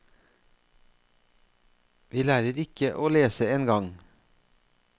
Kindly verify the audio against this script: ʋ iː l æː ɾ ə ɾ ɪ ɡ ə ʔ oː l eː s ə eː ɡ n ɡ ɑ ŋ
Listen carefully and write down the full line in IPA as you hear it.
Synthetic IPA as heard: ʋ iː l æː ɾ ə ɾ ɪ k ə ʔ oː l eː s ə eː n ɡ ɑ ŋ